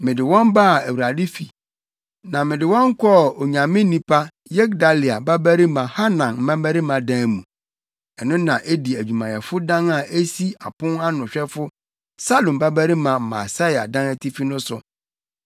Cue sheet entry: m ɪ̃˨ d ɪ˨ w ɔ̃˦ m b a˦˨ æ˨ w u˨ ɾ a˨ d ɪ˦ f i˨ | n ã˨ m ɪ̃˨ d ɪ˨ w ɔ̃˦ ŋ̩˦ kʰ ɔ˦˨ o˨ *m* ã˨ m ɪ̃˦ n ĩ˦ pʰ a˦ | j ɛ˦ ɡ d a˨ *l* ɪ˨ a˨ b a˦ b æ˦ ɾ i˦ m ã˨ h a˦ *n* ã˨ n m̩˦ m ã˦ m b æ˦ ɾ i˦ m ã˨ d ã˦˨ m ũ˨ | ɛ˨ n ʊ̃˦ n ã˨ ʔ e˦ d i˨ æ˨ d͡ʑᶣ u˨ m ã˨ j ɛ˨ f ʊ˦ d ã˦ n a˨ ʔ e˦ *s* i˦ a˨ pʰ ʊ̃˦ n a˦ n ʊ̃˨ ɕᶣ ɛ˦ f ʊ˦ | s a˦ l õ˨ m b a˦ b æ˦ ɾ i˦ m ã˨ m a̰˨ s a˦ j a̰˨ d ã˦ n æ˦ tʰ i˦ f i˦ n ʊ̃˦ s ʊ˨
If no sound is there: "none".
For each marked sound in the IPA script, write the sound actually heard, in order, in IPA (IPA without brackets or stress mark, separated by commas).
ɲ, l, n, s